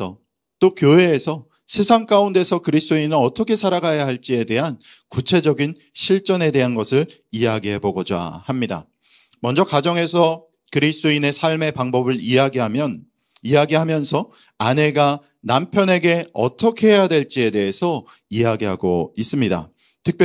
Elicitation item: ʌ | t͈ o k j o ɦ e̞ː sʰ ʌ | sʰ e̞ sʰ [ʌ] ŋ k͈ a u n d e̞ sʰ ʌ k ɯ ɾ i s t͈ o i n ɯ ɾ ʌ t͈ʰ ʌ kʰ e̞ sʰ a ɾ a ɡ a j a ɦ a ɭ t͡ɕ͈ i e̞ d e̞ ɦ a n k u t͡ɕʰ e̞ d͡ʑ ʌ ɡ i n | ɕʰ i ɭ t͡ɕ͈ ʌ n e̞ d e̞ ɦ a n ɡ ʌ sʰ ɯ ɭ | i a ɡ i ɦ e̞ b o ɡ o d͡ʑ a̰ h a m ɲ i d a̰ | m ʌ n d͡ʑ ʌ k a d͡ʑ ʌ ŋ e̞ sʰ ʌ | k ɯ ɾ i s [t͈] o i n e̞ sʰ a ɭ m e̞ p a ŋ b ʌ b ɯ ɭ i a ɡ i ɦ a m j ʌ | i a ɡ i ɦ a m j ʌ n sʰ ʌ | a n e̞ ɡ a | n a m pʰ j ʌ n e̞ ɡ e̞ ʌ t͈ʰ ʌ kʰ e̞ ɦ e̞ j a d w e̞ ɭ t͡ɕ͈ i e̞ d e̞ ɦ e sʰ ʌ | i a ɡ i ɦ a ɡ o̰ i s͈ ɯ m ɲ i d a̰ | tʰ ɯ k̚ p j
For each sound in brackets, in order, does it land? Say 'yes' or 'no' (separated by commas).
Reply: no, yes